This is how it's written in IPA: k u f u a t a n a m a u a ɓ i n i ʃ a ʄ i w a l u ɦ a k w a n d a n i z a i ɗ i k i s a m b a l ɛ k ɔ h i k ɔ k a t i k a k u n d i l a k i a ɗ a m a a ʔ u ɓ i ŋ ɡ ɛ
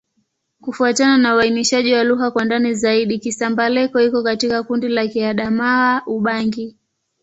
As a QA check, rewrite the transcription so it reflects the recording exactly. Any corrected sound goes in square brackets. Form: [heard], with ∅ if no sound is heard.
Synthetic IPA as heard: k u f u a t a n a [n] a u a [∅] i n i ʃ a ʄ i w a l u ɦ a k w a n d a n i z a i ɗ i k i s a m b a l ɛ k ɔ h i k ɔ k a t i k a k u n d i l a k i a ɗ a m a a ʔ u ɓ [a] ŋ ɡ [i]